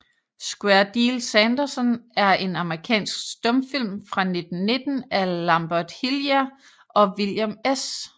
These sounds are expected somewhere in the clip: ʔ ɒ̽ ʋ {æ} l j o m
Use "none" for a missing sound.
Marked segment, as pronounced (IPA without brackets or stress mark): i